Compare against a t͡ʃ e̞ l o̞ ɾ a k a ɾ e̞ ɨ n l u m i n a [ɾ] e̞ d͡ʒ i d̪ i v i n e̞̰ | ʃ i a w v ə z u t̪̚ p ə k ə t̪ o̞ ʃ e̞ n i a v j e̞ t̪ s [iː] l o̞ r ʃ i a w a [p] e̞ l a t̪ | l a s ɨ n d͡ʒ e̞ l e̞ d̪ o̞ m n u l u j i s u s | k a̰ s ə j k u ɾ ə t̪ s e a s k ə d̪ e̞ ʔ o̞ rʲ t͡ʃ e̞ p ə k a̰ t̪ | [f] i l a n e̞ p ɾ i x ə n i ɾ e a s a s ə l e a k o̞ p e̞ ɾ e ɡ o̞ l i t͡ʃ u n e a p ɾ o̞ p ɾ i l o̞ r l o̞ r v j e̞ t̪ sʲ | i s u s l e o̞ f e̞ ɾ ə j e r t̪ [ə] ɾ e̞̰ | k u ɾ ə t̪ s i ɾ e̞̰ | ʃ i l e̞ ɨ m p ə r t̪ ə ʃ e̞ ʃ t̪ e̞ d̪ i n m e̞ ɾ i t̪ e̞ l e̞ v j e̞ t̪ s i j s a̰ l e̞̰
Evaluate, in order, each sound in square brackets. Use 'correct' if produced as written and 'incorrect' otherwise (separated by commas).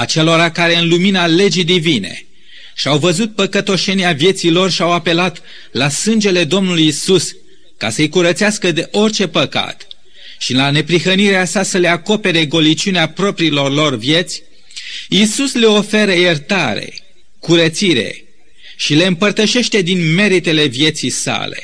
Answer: incorrect, incorrect, correct, incorrect, incorrect